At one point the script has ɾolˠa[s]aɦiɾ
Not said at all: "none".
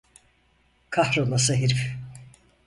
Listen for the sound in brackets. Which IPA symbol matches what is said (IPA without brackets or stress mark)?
s